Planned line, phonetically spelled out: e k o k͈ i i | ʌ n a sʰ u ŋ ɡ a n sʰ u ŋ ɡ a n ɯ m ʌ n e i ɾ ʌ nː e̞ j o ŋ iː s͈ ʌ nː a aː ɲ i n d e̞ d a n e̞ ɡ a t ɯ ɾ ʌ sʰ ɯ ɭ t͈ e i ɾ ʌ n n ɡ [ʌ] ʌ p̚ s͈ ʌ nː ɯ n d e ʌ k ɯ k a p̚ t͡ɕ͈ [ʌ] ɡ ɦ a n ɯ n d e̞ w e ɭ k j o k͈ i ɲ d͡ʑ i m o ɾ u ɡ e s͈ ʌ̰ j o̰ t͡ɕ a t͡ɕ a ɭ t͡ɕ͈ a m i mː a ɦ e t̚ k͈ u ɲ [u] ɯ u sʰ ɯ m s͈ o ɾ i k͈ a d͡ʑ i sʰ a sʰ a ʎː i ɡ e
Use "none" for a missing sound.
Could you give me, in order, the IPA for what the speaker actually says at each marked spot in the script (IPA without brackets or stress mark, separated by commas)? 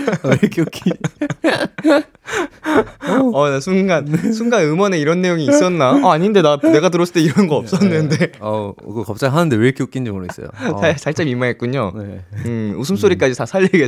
ʌ, a, o